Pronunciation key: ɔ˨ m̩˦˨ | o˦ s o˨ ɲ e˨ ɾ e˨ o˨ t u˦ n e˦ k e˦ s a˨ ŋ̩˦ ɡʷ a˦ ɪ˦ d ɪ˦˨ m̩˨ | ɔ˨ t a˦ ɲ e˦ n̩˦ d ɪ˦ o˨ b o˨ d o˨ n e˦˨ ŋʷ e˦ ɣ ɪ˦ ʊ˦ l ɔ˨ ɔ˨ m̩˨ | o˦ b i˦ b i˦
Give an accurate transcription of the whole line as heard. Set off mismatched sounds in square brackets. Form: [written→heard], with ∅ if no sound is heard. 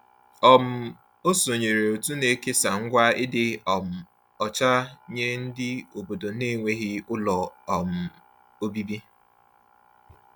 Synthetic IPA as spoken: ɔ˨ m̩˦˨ | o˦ s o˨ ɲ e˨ ɾ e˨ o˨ t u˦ n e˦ k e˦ s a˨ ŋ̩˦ ɡʷ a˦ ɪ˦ d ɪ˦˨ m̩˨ | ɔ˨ [t→t͡ʃ] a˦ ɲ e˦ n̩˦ d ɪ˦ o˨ b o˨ d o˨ n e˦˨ ŋʷ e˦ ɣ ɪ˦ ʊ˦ l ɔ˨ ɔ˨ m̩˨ | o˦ b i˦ b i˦